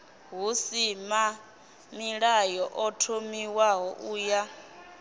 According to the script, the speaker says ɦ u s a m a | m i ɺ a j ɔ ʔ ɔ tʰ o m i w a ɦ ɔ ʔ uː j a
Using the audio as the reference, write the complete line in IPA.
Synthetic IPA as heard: ɦ u s i m a | m i ɺ a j ɔ ʔ ɔ tʰ o m i w a ɦ ɔ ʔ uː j a